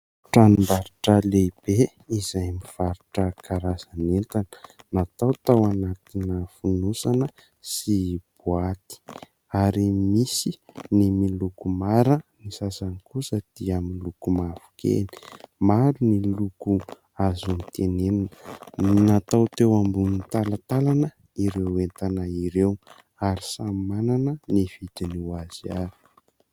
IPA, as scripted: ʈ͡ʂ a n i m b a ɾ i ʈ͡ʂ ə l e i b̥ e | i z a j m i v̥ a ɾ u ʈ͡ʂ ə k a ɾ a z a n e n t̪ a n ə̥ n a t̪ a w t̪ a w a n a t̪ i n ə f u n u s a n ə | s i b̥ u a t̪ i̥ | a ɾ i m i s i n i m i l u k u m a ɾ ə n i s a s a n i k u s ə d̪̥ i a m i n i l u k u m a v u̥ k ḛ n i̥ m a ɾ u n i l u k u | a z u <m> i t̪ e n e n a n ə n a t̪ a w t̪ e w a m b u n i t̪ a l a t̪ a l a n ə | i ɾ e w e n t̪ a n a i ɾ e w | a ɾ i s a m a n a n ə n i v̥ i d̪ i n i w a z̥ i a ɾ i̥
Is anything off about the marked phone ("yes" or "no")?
yes